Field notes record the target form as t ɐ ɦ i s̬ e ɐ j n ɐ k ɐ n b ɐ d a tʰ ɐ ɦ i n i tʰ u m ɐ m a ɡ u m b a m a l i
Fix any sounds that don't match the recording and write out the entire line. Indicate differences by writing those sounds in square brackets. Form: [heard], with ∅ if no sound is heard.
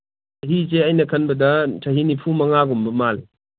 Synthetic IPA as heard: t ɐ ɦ i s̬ e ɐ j n ɐ [kʰ] ɐ n b ɐ d [ɐ] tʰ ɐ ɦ i n i [pʰ] u m ɐ [ŋ] a ɡ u m b [ɐ] m a l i